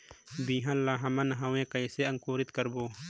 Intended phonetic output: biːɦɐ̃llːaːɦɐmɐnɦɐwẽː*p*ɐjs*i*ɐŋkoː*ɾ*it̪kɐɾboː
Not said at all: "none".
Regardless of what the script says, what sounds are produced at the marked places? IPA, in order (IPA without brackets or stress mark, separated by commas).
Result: k, e, ɾ